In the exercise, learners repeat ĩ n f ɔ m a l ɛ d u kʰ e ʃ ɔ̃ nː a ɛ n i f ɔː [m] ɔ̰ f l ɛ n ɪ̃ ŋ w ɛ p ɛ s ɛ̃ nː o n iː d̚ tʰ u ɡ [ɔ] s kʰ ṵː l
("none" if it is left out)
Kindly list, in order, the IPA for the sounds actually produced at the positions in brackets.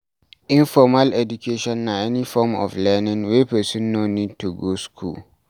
m, o

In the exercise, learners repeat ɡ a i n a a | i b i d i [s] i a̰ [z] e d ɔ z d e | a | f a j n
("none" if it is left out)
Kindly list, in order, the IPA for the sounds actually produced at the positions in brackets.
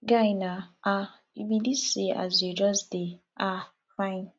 s, z

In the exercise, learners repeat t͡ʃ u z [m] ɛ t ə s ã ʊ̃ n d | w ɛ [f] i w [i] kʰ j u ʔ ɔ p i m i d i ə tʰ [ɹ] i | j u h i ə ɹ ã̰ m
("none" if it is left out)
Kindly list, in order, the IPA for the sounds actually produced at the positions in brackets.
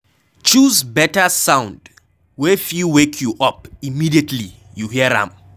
b, f, e, l

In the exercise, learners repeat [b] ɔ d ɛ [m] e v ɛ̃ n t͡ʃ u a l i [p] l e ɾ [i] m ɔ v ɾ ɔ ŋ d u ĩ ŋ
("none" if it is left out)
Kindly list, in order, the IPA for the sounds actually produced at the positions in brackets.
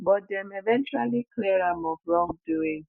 b, m, k, a

